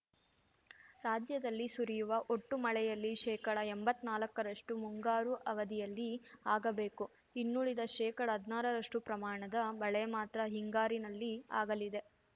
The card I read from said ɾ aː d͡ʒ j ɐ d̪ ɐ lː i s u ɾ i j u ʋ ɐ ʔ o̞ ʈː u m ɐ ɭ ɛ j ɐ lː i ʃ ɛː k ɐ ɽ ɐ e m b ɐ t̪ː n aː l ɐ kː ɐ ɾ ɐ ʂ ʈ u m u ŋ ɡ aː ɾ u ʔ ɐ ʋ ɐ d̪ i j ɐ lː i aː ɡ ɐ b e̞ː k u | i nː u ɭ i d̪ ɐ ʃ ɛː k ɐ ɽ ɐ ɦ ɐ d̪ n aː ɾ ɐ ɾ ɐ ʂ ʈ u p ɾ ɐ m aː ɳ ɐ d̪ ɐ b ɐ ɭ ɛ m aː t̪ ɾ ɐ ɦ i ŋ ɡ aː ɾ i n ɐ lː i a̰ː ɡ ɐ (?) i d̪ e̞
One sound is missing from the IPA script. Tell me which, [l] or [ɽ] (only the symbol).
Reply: l